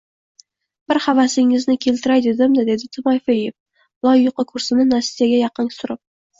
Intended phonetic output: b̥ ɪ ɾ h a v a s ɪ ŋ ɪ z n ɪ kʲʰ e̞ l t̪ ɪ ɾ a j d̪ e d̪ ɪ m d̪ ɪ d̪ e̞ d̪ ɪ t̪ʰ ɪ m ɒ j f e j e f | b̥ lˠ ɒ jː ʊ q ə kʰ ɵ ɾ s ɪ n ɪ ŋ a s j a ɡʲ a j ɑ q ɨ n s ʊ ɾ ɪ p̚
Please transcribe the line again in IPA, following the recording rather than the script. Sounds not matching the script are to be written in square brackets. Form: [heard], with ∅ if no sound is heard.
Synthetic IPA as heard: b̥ ɪ ɾ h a v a s ɪ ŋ ɪ z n ɪ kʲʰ e̞ l t̪ ɪ ɾ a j d̪ e d̪ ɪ m d̪ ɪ d̪ e̞ d̪ ɪ t̪ʰ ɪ m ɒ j f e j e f | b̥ lˠ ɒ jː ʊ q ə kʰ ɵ ɾ s ɪ n ɪ [n] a s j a ɡʲ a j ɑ q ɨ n s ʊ ɾ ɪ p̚